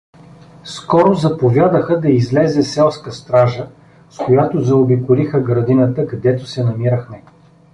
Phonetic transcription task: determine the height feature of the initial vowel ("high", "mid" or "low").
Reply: mid